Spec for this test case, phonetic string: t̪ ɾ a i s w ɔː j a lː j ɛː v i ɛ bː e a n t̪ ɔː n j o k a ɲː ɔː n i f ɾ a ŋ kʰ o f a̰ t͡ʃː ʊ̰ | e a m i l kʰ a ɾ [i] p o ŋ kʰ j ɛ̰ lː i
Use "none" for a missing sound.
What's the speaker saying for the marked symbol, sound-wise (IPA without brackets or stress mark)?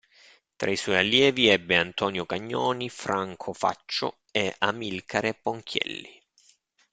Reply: e